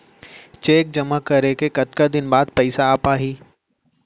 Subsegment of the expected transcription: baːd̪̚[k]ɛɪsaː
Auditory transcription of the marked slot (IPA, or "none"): p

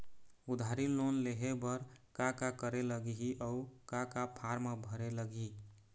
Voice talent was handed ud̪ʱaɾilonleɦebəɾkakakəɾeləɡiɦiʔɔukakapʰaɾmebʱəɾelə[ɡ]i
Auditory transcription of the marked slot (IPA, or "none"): ɡ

